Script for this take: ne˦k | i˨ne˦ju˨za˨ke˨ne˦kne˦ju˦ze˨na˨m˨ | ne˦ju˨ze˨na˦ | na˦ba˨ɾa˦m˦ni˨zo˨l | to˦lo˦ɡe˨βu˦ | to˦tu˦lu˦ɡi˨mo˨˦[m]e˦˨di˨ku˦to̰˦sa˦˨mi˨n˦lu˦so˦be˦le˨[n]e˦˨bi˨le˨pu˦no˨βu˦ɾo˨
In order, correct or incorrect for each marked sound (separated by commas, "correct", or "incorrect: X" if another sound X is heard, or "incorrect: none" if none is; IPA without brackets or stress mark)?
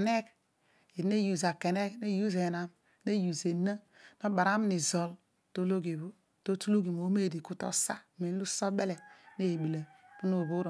correct, correct